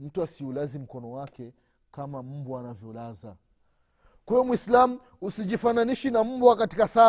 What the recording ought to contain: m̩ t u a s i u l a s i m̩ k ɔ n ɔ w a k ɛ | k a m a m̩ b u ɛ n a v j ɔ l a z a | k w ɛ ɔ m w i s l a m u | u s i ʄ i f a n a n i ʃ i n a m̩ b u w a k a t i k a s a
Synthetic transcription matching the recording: m̩ t u a s i u l a z i m̩ k ɔ n ɔ w a k ɛ | k a m a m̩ b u a n a v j ɔ l a z a | k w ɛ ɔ m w i s l a m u | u s i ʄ i f a n a n i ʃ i n a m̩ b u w a k a t i k a s a